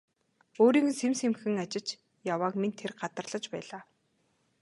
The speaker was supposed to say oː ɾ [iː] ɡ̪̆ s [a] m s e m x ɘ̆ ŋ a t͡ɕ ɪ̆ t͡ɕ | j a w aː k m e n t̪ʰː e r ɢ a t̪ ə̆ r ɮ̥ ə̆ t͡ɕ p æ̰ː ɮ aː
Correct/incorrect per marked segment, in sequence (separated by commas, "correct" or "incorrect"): correct, incorrect